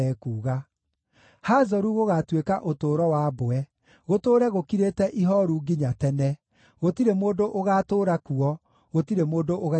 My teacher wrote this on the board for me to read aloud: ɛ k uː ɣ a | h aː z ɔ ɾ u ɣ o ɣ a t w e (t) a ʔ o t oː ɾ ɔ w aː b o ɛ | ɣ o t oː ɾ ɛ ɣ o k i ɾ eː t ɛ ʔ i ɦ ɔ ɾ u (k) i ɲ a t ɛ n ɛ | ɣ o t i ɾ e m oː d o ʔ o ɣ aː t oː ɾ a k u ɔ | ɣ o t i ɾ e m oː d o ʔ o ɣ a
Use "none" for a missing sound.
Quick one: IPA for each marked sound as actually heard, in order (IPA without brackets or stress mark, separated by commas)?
k, ɡ